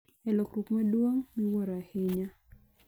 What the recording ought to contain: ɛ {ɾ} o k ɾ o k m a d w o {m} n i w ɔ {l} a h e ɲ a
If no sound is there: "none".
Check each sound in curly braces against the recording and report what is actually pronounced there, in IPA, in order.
l, ŋ, ɾ

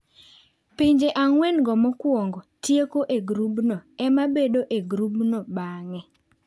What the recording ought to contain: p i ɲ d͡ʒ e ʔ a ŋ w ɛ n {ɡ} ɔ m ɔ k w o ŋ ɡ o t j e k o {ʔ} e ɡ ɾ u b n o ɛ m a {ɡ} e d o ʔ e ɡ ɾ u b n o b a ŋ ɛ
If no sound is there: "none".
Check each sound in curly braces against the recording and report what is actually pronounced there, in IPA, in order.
ɡ, ʔ, b

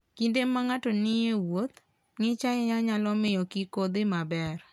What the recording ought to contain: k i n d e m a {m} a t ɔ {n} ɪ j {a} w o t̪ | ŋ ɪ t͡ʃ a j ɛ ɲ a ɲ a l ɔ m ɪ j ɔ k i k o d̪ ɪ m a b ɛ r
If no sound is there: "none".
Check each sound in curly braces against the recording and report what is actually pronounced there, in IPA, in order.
ŋ, n, e

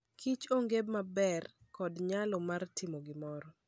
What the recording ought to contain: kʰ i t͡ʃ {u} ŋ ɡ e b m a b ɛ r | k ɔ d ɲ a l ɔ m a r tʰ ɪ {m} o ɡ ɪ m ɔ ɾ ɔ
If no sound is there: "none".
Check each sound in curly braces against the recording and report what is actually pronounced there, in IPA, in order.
o, m

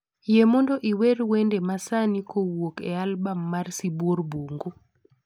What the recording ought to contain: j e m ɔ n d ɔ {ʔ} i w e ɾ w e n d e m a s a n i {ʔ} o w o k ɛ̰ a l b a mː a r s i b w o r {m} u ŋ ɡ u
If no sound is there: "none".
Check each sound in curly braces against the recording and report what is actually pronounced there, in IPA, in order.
ʔ, k, b

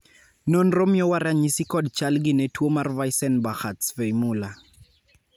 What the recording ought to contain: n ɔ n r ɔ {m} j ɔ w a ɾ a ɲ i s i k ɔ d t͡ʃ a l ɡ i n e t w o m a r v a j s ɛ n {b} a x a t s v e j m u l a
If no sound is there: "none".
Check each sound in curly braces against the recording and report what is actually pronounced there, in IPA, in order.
m, b

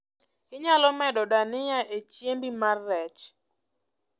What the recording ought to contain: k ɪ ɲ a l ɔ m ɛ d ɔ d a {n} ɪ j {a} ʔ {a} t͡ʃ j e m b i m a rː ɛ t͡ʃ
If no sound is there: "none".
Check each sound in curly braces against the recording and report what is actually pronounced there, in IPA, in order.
n, a, e

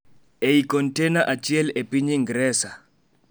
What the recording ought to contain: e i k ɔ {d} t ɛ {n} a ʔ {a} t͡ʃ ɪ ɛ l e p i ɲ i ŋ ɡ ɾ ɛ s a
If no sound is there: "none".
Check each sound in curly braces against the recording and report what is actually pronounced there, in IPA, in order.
n, n, a

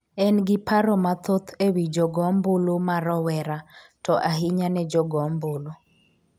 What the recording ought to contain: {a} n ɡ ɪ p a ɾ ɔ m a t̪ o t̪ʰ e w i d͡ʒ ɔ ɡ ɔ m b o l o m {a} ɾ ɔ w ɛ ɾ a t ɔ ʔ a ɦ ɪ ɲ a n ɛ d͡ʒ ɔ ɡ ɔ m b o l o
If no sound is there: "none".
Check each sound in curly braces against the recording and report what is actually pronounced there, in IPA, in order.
ɛ, a

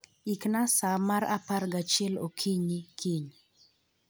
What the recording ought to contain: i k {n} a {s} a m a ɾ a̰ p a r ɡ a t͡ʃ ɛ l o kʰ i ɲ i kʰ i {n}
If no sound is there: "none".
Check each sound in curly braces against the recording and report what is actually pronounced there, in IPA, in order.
n, s, ɲ

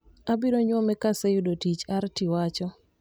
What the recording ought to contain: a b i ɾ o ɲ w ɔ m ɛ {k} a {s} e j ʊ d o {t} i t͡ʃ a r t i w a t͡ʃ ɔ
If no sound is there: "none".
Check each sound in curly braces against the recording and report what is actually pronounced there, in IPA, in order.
k, s, t

